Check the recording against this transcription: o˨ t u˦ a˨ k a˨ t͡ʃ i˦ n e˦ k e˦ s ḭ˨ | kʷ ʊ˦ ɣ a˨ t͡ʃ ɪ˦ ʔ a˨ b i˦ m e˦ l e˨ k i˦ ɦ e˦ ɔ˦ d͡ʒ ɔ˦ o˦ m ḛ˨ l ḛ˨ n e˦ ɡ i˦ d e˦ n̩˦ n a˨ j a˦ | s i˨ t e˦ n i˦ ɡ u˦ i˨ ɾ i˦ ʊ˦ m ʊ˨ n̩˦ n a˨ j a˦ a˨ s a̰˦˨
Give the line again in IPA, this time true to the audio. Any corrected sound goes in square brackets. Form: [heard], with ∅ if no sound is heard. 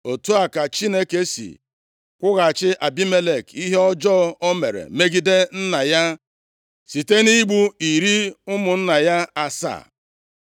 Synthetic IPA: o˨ t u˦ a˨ k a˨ t͡ʃ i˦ n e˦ k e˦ s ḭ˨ | kʷ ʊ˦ ɣ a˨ t͡ʃ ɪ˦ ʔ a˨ b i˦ m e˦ l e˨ k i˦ ɦ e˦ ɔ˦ d͡ʒ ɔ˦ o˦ m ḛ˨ [ɾ] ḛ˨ [m] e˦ ɡ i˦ d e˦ n̩˦ n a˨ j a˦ | s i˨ t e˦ n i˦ [ɡ͡b] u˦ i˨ ɾ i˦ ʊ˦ m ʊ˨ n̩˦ n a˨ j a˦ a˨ s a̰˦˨

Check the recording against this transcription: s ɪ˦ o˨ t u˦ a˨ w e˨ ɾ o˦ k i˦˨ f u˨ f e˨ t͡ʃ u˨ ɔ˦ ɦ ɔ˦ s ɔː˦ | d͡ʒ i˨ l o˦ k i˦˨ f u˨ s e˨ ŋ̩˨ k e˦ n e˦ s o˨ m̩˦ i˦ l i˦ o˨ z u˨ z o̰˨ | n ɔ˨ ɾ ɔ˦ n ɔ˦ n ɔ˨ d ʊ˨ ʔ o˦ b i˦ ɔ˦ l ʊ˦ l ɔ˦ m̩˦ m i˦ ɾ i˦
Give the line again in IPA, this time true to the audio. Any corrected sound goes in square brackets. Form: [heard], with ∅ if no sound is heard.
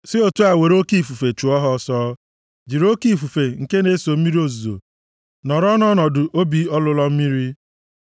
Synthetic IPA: s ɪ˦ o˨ t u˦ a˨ w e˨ ɾ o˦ k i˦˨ f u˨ f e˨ t͡ʃ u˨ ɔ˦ ɦ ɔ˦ s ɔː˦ | d͡ʒ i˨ [ɾ] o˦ k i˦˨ f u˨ [f] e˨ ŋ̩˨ k e˦ n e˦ s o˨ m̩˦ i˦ [ɾ] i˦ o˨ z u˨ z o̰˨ | n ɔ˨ ɾ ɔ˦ n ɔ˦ n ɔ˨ d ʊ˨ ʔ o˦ b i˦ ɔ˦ l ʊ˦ l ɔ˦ m̩˦ m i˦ ɾ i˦

